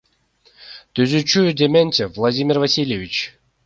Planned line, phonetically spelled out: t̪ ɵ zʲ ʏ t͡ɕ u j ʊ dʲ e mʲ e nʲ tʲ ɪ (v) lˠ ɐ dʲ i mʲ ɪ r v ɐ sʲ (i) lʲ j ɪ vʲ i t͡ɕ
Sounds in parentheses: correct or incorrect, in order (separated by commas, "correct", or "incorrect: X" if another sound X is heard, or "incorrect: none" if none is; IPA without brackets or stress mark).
correct, correct